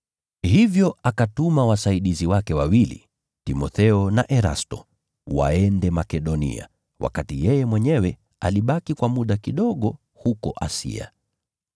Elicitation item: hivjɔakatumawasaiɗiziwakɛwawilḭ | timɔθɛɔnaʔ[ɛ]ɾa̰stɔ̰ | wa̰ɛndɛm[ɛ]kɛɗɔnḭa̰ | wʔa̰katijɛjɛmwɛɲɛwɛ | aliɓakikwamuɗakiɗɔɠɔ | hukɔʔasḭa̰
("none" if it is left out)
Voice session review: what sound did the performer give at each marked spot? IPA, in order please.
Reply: ɛ, a

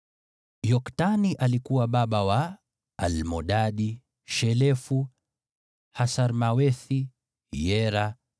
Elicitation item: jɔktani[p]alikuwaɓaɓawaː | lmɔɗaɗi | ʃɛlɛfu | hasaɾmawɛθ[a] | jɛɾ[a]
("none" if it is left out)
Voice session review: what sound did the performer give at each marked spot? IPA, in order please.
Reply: ʔ, i, a

